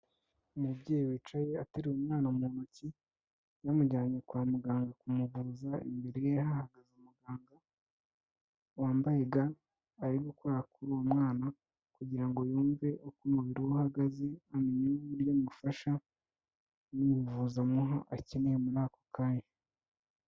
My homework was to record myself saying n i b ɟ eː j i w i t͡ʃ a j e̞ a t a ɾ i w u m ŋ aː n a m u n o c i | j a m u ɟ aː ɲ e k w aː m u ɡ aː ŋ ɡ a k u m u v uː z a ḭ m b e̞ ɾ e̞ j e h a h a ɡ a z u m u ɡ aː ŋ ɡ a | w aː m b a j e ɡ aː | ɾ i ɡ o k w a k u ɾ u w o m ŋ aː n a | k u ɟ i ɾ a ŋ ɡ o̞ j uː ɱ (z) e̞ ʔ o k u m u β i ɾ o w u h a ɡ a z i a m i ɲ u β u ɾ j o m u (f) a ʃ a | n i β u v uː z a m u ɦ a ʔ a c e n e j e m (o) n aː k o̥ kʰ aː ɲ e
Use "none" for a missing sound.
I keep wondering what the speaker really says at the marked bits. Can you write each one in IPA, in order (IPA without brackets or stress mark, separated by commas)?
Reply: v, f, u